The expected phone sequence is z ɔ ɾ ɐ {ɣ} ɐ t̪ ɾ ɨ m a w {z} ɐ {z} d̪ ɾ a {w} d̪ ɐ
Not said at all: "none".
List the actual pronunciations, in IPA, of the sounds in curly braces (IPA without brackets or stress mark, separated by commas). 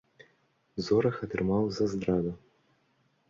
x, z, z, none